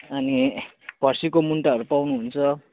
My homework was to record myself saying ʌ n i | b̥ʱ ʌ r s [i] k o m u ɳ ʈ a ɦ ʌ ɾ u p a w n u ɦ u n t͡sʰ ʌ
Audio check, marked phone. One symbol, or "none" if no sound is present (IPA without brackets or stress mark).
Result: i